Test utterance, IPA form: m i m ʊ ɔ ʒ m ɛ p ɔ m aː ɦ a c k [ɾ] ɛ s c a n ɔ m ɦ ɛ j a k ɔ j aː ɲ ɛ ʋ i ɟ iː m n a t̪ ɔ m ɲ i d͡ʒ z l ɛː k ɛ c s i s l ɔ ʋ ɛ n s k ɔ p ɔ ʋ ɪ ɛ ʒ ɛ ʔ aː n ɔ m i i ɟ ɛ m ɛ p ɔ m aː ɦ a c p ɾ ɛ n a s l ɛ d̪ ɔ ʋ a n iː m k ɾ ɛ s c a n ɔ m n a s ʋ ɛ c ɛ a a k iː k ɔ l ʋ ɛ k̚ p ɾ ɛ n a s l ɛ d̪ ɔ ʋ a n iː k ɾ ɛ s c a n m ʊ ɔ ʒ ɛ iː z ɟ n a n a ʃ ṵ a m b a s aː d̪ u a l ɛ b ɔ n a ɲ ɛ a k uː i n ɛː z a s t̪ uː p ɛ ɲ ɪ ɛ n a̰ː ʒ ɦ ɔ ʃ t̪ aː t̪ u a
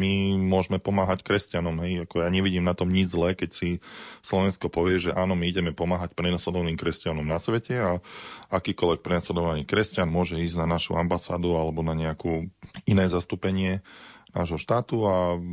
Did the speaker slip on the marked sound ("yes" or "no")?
no